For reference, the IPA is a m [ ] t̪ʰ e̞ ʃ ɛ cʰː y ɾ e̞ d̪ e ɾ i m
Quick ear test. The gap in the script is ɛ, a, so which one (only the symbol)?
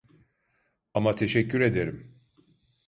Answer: a